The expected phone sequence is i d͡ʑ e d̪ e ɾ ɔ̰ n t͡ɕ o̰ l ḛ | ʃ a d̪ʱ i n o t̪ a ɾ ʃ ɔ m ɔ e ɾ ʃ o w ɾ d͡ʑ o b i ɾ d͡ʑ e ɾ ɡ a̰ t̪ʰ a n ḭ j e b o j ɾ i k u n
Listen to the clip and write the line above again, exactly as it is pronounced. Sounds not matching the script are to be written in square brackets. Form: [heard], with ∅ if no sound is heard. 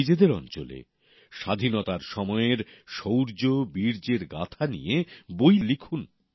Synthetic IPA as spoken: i d͡ʑ e d̪ e ɾ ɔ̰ n t͡ɕ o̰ l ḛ | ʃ a d̪ʱ i n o t̪ a ɾ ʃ ɔ m ɔ e ɾ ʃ o w ɾ d͡ʑ o b i ɾ d͡ʑ e ɾ ɡ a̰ t̪ʰ a n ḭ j e b o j [l] i [kʰ] u n